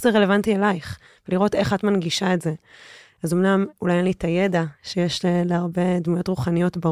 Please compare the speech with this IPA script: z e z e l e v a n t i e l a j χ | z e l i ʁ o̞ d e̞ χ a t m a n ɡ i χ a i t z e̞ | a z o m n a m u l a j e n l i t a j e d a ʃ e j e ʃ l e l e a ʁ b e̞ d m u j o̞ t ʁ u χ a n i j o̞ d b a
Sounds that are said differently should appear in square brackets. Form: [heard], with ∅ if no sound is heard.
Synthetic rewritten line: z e [ʁ] e l e v a n t i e l a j χ | [v] e l i ʁ o̞ [t] e̞ χ a t m a n ɡ i [ʃ] a [e] t z e̞ | a z o m n a m u l a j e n l i t a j e d a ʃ e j e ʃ l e l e a ʁ b e̞ d m u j o̞ t ʁ u χ a n i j o̞ [t] b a